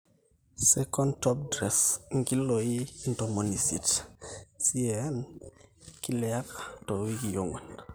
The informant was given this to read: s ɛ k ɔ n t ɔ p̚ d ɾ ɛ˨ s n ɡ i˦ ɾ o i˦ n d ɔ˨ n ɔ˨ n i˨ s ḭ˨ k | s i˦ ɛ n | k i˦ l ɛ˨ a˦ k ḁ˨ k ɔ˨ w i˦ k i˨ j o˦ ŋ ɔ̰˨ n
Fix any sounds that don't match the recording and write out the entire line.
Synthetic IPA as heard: s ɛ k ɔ n t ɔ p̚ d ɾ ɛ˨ s ŋ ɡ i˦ l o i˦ n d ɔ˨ m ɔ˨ n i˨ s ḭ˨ t | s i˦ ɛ n | k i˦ l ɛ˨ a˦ k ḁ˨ t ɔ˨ w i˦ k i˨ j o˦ ŋ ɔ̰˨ n